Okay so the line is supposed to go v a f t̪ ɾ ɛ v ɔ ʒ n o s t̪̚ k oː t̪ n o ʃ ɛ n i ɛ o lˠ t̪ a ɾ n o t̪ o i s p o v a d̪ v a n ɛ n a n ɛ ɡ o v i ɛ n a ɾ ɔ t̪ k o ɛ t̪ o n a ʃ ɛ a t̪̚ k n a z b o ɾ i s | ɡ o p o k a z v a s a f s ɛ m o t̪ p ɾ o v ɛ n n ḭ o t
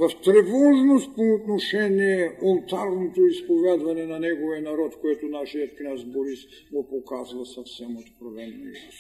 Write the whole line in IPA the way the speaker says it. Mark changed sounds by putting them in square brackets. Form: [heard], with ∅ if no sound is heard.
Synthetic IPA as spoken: v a f t̪ ɾ ɛ v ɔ ʒ n o s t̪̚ [p] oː t̪ n o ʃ ɛ n i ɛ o lˠ t̪ a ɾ n o t̪ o i s p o v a d̪ v a n ɛ n a n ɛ ɡ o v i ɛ n a ɾ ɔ t̪ k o ɛ t̪ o n a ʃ [i] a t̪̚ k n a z b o ɾ i s | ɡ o p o k a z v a s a f s ɛ m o t̪ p ɾ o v ɛ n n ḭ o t